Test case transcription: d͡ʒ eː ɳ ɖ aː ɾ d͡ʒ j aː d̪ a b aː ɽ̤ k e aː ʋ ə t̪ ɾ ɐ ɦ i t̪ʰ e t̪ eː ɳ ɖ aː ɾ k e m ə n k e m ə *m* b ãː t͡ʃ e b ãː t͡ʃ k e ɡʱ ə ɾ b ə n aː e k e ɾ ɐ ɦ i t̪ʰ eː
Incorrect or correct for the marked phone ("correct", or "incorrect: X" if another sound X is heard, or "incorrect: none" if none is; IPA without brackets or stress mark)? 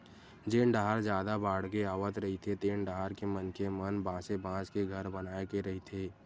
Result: incorrect: n